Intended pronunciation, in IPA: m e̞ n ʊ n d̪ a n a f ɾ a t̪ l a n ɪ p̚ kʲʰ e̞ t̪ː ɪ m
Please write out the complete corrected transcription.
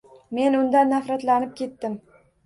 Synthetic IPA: m e̞ n ʊ n d̪ a nː a f ɾ a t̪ l a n ɪ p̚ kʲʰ e̞ t̪ː ɪ m